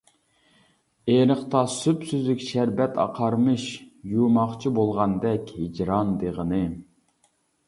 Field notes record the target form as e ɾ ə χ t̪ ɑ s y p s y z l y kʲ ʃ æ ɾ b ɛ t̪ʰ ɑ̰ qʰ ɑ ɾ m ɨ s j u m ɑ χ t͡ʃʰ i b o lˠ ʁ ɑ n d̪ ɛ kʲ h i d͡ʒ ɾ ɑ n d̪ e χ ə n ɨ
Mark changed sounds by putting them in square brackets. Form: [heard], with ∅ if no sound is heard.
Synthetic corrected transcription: e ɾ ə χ t̪ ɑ s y p s y z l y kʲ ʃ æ ɾ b ɛ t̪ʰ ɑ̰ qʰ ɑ ɾ m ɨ [ʃ] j u m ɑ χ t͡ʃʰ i b o lˠ ʁ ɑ n d̪ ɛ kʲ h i d͡ʒ ɾ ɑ n d̪ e [ʁ] ə n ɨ